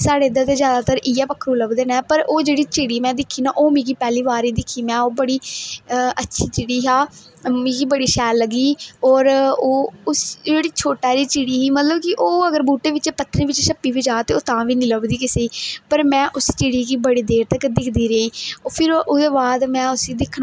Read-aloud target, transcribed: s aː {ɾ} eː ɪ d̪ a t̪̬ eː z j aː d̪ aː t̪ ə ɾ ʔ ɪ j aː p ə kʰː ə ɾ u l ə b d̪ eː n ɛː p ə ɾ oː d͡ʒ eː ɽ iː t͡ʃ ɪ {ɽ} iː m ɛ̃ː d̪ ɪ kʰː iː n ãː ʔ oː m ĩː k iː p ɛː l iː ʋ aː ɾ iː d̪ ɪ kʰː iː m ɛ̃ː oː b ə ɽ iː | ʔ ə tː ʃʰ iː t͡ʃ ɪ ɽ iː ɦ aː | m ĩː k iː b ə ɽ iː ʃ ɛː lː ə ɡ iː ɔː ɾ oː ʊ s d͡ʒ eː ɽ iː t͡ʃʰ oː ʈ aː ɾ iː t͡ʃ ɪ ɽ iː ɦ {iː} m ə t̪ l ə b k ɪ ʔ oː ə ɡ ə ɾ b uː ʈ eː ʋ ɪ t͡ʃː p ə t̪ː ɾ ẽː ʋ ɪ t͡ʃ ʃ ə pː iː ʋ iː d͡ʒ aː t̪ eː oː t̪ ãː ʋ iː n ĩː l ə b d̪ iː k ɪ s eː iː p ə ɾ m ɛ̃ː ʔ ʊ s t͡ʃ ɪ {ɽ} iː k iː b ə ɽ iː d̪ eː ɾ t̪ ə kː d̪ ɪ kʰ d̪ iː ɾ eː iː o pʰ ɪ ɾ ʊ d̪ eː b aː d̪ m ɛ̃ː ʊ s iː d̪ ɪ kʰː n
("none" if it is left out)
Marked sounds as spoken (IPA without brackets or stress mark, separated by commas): ɽ, ɽ, iː, ɽ